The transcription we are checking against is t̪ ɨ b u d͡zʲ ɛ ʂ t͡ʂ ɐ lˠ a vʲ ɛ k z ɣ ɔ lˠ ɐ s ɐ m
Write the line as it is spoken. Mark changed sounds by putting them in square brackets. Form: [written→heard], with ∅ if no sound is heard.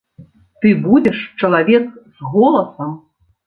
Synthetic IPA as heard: t̪ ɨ b u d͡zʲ ɛ ʂ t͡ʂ ɐ lˠ a vʲ ɛ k z ɣ ɔ lˠ ɐ s ɐ m